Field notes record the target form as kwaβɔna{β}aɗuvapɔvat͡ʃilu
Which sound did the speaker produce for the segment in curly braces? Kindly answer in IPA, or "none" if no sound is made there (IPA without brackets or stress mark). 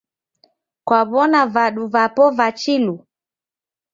v